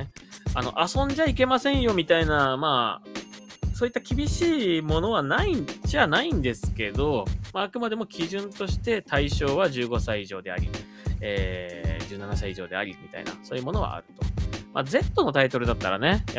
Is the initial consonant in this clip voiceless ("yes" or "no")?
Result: no